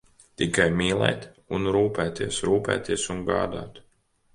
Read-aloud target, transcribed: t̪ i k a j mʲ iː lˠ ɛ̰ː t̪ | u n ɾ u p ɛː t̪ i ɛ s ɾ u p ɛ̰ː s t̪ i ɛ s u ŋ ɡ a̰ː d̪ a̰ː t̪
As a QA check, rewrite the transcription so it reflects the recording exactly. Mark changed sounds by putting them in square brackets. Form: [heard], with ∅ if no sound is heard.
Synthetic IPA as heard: t̪ i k a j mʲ iː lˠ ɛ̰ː t̪ | u n ɾ [uː] p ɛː t̪ i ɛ s ɾ [uː] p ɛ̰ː [∅] t̪ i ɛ s u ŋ ɡ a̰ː d̪ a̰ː t̪